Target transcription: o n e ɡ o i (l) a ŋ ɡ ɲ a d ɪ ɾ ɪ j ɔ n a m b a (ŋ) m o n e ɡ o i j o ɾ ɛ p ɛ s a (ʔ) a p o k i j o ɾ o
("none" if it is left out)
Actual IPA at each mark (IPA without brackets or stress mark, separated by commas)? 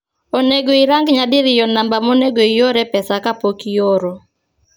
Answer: ɾ, none, k